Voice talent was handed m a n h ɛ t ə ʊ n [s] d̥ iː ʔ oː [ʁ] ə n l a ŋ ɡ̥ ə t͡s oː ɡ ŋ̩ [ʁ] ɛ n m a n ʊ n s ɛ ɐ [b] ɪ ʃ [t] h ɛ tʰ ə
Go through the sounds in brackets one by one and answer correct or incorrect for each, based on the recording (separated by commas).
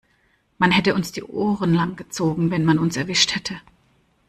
correct, correct, incorrect, incorrect, correct